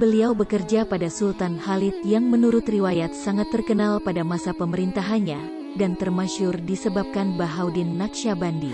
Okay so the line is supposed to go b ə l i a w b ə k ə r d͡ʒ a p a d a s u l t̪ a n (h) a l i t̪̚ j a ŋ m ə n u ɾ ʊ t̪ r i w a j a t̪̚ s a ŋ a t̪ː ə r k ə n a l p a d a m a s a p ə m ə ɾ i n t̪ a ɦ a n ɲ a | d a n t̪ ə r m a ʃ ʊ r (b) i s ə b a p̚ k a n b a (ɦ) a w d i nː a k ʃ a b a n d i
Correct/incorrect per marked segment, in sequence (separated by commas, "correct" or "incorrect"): correct, incorrect, correct